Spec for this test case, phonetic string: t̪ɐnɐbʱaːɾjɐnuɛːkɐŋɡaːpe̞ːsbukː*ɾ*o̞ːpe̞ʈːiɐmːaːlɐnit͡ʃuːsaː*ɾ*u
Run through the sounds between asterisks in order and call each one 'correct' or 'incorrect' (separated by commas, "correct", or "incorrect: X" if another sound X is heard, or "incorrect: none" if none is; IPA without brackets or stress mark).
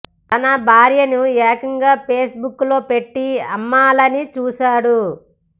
incorrect: l, incorrect: ɽ